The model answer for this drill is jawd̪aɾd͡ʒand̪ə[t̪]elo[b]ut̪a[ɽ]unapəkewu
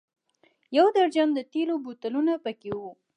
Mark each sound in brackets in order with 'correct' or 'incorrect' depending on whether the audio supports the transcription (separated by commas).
correct, correct, incorrect